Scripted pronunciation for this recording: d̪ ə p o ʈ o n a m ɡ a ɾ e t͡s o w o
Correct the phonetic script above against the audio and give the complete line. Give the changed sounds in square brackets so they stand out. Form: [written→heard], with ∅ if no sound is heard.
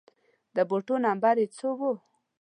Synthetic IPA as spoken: d̪ ə [p→b] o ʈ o n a m [ɡ→b] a ɾ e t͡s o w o